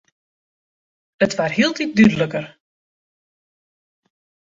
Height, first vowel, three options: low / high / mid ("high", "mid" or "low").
mid